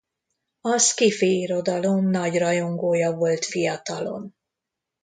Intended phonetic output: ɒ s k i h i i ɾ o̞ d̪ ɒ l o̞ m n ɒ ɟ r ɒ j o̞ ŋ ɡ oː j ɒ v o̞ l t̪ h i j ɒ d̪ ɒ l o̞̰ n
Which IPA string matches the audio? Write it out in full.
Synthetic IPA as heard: ɒ s k i f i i ɾ o̞ d̪ ɒ l o̞ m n ɒ ɟ r ɒ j o̞ ŋ ɡ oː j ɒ v o̞ l t̪ f i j ɒ t̪ ɒ l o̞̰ n

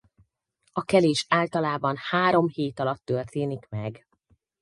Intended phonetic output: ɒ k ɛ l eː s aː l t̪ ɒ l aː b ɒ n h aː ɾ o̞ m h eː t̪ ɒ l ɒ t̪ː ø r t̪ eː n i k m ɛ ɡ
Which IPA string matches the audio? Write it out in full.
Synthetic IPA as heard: ɒ k ɛ l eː ʃ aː l t̪ ɒ l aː b ɒ n h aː ɾ o̞ m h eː t̪ ɒ l ɒ t̪ː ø r t̪ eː n i k m ɛ ɡ

